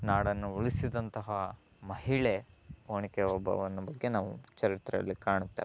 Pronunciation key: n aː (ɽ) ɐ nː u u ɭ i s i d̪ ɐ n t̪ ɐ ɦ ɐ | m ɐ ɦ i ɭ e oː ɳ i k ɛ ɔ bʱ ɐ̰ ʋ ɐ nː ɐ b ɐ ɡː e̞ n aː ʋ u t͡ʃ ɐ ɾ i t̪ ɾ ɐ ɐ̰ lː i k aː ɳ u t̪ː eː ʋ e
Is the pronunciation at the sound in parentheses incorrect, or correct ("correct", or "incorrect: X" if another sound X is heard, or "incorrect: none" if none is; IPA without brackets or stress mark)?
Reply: correct